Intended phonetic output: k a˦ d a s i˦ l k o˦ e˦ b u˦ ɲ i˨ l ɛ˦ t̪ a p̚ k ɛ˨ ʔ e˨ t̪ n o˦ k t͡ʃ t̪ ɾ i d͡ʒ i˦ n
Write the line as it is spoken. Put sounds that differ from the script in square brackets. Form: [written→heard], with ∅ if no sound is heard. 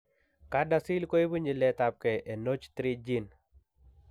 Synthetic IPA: k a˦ d a s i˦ l k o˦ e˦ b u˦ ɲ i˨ l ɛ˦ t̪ a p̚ k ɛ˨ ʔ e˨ [t̪→∅] n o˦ [k→∅] t͡ʃ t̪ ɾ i d͡ʒ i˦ n